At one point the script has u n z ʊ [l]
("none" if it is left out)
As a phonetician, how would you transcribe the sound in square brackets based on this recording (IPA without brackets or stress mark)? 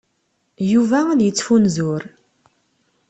ɾ